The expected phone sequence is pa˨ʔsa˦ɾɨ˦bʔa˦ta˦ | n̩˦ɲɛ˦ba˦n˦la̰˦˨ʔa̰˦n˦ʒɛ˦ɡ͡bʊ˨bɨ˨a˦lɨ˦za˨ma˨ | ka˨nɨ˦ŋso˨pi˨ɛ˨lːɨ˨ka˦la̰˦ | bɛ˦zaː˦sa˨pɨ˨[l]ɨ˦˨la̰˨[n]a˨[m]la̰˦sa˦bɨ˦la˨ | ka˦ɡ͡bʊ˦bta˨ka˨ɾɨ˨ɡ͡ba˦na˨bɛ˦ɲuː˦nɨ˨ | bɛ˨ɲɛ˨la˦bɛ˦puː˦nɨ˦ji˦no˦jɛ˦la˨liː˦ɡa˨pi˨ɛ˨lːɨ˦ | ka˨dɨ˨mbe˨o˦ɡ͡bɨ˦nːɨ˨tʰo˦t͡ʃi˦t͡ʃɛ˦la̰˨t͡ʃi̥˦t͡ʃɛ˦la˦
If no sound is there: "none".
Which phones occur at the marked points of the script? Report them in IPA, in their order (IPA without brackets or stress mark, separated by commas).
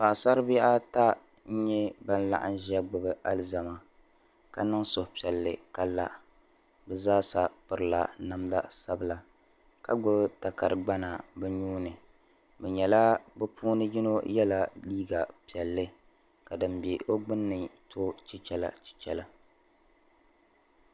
ɾ, n, m